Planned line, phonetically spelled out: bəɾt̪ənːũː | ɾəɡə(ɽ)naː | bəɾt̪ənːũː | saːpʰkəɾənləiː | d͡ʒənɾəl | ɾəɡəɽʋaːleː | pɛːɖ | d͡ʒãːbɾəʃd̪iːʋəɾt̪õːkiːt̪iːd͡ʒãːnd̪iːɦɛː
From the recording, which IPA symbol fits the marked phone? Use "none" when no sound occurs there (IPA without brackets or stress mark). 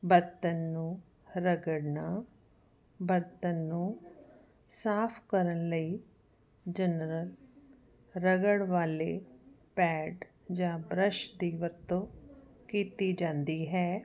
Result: ɽ